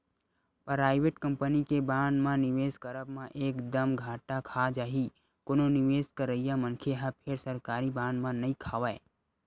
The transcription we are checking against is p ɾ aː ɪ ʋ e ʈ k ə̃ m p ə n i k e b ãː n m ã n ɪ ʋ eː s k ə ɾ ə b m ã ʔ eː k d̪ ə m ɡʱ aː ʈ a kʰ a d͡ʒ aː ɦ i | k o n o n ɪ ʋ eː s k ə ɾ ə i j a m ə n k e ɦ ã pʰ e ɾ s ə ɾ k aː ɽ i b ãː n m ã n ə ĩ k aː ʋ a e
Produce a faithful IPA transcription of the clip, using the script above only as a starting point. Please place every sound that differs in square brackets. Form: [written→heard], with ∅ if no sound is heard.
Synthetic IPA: p ɾ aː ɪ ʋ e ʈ k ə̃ m p ə n i k e b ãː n m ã n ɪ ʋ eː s k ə ɾ ə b m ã ʔ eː k d̪ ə m ɡʱ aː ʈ a kʰ a d͡ʒ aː ɦ i | k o n o n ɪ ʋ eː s k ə ɾ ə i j a m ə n [k→kʰ] e ɦ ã pʰ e ɾ s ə ɾ k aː [ɽ→ɾ] i b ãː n m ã n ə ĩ [k→kʰ] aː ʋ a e